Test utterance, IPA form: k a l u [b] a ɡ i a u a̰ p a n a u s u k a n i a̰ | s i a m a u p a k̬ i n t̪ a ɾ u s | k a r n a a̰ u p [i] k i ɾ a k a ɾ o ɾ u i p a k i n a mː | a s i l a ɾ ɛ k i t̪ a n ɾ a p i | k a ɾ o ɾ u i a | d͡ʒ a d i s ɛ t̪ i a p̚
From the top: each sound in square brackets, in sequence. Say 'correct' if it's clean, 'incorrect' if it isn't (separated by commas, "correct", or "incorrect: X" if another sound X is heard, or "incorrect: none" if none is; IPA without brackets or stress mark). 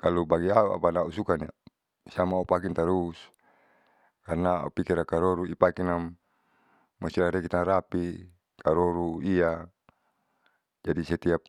correct, correct